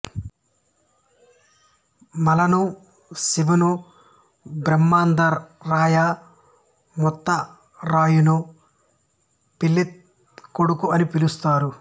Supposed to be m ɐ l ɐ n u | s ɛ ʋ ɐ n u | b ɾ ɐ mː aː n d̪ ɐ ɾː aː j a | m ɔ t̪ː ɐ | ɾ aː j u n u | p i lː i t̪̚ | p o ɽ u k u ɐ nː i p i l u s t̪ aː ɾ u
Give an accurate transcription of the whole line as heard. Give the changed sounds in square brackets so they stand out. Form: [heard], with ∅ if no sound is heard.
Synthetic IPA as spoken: m ɐ l ɐ n u | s [i] ʋ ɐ n u | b ɾ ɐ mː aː n d̪ ɐ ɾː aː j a | m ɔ t̪ː ɐ | ɾ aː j u n u | p i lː i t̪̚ | [k] o ɽ u k u ɐ [n] i p i l u s t̪ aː ɾ u